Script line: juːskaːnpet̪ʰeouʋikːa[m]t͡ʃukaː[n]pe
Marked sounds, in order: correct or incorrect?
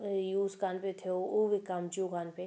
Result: correct, correct

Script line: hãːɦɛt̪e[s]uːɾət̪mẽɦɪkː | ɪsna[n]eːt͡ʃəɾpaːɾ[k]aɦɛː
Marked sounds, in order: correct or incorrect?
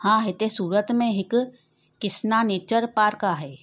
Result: correct, correct, correct

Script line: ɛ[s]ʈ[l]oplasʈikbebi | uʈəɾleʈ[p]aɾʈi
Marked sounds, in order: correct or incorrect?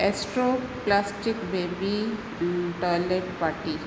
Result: correct, incorrect, correct

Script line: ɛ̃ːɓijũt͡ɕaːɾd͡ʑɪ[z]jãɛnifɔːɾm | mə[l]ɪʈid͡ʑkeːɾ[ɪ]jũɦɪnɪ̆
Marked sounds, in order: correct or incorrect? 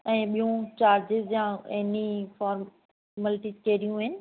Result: correct, correct, incorrect

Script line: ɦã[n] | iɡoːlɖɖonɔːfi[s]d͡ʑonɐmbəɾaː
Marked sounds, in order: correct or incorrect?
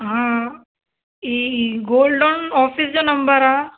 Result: incorrect, correct

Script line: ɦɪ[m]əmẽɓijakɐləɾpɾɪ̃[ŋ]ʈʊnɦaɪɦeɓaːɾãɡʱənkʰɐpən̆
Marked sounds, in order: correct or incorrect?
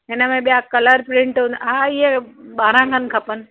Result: incorrect, incorrect

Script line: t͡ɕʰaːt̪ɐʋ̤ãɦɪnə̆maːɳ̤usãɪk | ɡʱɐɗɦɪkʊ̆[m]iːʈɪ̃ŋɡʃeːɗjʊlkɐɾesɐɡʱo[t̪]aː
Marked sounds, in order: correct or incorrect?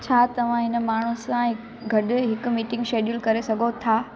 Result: correct, incorrect

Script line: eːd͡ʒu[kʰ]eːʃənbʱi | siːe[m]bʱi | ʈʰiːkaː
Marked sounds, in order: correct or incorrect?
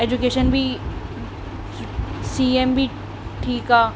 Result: incorrect, correct

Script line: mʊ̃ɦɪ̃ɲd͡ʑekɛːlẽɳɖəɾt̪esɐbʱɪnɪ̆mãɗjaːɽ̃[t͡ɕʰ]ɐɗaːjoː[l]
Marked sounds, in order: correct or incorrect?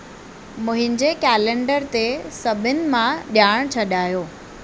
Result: correct, incorrect

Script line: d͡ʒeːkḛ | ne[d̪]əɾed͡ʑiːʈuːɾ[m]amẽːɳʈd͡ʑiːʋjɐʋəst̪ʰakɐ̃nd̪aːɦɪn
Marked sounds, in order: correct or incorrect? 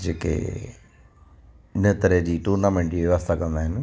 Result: incorrect, incorrect

